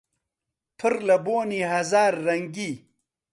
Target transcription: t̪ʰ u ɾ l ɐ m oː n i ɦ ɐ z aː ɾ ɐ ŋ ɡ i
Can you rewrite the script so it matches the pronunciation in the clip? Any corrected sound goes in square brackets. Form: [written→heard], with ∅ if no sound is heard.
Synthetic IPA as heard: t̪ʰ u ɾ l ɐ [m→b] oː n i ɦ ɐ z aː [ɾ→ɾː] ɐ ŋ ɡ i